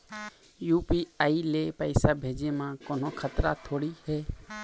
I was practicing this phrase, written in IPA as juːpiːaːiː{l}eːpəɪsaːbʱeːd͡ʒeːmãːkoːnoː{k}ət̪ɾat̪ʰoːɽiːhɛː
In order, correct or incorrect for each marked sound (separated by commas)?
correct, incorrect